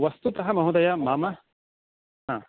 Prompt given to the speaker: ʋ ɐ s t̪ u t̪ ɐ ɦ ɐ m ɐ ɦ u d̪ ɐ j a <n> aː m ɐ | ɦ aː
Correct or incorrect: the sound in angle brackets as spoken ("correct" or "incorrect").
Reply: incorrect